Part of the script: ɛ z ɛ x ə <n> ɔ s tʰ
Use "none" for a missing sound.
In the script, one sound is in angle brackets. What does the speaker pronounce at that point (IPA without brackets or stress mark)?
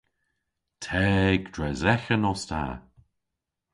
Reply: n